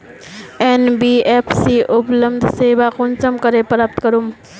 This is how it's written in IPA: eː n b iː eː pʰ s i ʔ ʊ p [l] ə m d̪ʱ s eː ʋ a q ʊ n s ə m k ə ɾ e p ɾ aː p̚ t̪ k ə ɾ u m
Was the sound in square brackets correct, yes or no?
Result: yes